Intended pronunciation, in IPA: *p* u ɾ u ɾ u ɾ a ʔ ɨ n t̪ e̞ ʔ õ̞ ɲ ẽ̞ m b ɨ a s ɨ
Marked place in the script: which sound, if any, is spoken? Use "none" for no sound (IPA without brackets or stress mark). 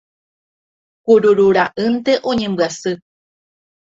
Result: k